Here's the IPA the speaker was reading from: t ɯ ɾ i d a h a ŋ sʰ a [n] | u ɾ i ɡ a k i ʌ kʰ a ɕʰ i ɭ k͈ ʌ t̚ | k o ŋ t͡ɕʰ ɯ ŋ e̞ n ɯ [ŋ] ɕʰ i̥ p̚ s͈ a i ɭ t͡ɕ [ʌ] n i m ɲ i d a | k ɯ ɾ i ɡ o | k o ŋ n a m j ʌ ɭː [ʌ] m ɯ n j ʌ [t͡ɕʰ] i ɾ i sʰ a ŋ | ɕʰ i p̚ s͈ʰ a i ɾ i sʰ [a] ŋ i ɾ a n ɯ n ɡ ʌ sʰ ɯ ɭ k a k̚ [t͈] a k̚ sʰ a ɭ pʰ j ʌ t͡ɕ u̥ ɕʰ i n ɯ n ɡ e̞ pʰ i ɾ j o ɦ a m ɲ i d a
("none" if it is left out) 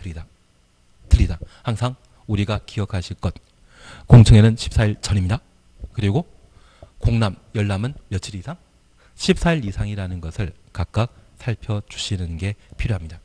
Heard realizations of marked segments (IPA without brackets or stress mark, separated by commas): ŋ, n, ʌ, a, t͡ɕʰ, a, k͈